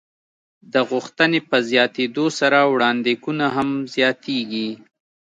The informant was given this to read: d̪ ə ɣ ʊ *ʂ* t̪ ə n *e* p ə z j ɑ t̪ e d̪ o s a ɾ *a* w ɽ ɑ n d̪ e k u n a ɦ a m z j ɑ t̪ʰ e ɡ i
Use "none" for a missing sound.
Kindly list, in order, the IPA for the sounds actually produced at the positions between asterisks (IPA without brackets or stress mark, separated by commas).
x, e, a